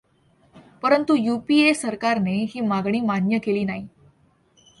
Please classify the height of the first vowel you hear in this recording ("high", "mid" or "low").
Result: mid